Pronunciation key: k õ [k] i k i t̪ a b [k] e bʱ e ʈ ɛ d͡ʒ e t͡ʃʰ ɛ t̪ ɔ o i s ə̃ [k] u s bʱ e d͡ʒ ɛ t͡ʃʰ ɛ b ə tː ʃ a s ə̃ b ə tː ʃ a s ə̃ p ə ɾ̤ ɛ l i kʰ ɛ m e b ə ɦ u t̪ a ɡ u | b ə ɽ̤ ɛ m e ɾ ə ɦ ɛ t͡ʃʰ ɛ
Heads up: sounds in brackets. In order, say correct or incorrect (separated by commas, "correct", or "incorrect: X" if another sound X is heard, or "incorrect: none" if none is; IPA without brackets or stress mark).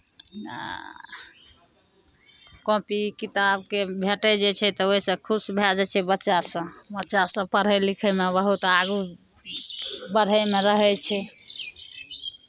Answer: incorrect: p, correct, incorrect: kʰ